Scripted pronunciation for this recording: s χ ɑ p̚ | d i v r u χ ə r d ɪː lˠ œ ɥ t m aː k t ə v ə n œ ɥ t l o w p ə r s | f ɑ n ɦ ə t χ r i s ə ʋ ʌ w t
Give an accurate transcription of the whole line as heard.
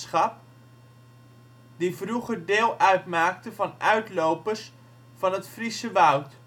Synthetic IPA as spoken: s χ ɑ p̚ | d i v r u χ ə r d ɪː lˠ œ ɥ t m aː k t ə v ɑ n œ ɥ t l o w p ə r s | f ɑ n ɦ ə t f r i s ə ʋ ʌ w t